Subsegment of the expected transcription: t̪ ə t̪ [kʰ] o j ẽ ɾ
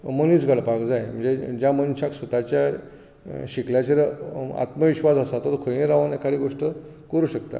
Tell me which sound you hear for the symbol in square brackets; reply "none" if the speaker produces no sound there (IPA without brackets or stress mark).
kʰ